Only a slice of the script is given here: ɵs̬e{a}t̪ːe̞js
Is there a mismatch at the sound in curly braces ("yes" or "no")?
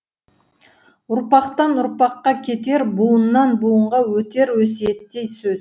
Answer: yes